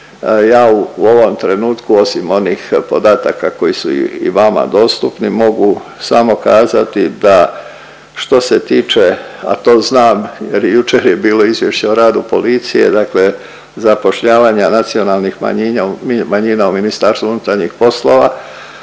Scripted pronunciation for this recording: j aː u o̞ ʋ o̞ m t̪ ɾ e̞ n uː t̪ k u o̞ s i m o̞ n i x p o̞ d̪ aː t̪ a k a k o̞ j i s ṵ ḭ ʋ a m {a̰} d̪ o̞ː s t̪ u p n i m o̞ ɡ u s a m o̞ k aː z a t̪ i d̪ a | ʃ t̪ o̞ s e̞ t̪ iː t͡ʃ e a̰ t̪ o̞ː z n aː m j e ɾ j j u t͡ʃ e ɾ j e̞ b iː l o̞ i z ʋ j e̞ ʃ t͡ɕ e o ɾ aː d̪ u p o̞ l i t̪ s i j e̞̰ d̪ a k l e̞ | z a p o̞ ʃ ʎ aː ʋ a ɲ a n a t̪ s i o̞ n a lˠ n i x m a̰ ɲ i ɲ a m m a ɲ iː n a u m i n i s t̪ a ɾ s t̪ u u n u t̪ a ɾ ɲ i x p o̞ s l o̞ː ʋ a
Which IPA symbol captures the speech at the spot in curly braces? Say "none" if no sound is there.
a̰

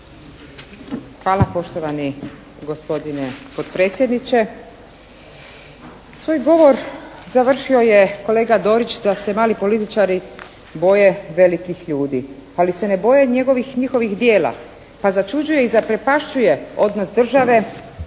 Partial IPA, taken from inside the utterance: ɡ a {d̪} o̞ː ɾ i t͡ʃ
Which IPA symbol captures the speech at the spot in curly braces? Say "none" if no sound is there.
d̪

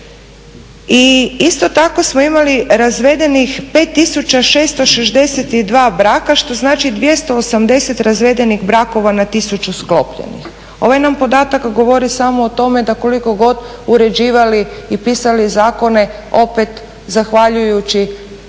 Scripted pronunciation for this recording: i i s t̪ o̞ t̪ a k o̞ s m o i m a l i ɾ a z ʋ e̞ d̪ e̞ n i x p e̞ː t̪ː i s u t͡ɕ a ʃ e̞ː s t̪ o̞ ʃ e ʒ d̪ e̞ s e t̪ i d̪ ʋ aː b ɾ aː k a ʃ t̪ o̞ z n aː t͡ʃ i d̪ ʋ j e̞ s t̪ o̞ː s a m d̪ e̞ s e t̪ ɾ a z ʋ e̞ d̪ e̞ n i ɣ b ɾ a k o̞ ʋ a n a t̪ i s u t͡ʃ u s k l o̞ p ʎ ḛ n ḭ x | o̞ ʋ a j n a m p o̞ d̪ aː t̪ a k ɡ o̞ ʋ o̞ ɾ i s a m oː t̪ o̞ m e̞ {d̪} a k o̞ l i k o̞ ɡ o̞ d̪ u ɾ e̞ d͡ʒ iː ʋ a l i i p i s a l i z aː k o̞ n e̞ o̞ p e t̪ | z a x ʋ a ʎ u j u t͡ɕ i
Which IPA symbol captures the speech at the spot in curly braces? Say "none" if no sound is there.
d̪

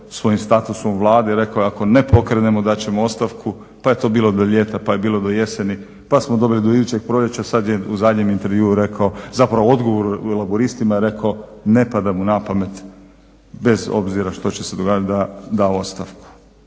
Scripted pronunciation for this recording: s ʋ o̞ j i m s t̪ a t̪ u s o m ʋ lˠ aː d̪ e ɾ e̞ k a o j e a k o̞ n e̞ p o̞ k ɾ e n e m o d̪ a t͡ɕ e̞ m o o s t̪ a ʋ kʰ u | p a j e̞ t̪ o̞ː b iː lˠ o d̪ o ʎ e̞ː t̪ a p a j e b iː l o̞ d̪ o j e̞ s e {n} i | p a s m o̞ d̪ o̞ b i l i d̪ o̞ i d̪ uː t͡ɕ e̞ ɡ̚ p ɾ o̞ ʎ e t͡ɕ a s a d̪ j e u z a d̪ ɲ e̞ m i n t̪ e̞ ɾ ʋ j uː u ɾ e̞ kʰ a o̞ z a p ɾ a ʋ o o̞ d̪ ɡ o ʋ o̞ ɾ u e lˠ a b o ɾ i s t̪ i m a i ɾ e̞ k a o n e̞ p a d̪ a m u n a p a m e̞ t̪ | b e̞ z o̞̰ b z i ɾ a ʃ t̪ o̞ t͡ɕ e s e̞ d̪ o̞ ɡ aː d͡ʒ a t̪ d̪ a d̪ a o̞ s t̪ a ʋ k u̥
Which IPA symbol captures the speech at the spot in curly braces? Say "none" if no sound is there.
n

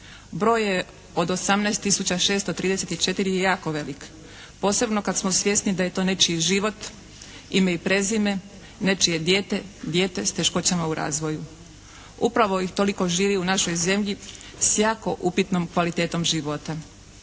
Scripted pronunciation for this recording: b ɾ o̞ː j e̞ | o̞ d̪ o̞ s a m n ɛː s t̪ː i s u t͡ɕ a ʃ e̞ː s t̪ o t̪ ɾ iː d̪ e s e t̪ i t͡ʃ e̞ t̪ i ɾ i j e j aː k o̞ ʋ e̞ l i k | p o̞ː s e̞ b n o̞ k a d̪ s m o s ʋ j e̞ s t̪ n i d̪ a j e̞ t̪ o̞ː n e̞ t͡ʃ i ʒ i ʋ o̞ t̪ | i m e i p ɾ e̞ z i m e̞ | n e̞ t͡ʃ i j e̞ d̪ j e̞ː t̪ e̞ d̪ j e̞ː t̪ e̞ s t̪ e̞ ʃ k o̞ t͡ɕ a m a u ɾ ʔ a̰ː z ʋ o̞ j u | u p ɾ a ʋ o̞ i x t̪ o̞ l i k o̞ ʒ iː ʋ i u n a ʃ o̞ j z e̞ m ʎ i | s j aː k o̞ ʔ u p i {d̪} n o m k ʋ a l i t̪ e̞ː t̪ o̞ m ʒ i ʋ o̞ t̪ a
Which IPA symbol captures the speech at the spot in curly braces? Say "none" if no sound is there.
t̪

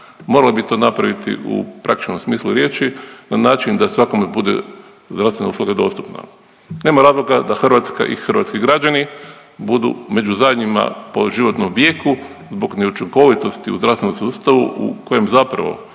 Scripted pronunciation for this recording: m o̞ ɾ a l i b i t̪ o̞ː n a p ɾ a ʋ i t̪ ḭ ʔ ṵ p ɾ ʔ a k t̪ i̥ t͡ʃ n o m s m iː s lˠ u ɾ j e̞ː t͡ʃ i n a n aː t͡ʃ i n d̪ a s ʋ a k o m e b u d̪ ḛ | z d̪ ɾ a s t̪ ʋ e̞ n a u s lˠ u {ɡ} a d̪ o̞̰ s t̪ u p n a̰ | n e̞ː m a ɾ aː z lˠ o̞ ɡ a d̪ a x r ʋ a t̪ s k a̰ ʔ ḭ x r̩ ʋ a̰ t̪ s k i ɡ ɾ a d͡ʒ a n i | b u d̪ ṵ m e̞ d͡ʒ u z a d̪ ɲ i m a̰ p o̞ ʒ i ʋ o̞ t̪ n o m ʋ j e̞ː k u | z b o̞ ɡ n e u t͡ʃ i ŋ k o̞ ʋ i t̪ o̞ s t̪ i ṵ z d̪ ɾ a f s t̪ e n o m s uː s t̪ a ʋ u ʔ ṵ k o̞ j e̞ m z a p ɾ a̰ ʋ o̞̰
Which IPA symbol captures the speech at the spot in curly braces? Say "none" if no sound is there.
ɡ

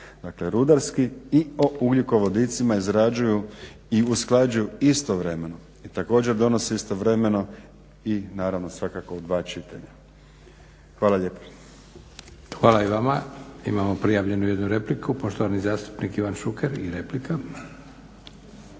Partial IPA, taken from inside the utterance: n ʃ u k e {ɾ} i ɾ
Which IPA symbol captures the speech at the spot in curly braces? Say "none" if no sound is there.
ɾ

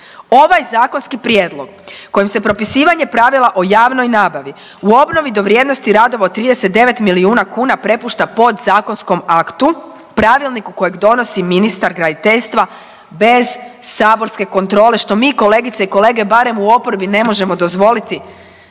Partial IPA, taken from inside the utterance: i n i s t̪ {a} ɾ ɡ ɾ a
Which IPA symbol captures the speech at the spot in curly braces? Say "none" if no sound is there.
a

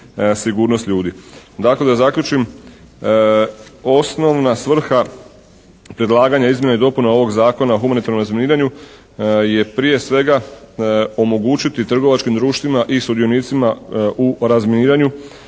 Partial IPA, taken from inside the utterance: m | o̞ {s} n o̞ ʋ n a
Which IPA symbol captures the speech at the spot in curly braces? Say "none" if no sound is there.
s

